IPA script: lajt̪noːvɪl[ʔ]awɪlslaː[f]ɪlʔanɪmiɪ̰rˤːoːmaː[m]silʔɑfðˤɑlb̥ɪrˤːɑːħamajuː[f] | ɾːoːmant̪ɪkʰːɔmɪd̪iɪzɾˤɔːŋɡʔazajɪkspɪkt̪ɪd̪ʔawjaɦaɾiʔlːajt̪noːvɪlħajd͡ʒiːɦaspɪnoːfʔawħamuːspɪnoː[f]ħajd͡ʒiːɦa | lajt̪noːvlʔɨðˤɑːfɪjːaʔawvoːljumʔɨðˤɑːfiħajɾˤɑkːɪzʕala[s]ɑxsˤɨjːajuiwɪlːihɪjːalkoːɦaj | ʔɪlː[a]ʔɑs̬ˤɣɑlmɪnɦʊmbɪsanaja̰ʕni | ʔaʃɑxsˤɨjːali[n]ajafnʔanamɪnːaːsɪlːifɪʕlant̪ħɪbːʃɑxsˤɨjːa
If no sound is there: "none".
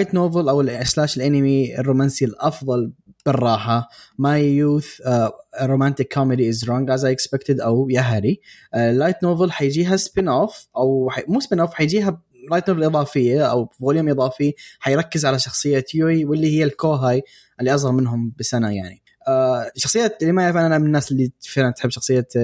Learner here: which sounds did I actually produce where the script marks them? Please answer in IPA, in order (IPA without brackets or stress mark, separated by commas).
ʔ, ʃ, n, θ, f, ʃ, i, m